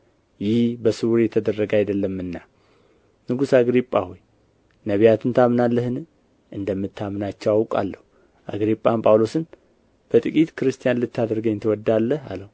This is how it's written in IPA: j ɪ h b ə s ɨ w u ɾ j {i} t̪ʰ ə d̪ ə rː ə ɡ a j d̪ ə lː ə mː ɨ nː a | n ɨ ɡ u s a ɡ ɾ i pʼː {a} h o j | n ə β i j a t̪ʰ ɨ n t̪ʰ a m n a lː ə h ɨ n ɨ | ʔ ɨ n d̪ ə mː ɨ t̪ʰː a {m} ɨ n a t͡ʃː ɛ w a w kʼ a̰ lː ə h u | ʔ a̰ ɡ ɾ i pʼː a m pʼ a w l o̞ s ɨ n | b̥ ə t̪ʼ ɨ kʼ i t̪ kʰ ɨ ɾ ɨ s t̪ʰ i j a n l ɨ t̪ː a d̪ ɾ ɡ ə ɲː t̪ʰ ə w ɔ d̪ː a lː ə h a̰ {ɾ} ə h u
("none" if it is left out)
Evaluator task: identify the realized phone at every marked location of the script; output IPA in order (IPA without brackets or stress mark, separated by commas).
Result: ɛ, a, m, l